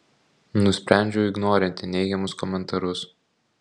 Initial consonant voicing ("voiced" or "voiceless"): voiced